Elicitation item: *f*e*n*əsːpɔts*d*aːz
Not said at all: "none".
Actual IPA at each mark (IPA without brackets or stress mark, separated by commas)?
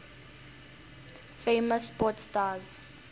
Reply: f, m, t